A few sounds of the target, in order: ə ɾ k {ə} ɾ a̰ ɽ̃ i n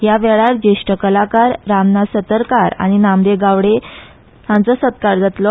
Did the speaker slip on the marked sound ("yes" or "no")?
yes